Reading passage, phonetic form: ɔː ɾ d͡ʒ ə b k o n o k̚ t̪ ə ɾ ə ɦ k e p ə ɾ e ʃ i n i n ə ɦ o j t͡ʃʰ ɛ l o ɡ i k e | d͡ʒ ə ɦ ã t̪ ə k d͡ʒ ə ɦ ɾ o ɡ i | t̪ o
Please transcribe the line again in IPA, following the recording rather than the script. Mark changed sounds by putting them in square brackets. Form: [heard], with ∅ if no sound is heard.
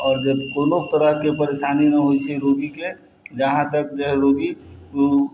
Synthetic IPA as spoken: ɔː ɾ d͡ʒ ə b k o n o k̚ t̪ ə ɾ ə ɦ k e p ə ɾ e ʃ [a] n i n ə ɦ o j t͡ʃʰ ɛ [ɾ] o ɡ i k e | d͡ʒ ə ɦ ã t̪ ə k d͡ʒ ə ɦ ɾ o ɡ i | t̪ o